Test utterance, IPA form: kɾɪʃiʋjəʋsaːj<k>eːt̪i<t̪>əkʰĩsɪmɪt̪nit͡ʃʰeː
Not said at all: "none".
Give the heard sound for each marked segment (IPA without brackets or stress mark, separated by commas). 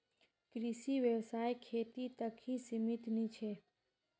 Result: kʰ, t̪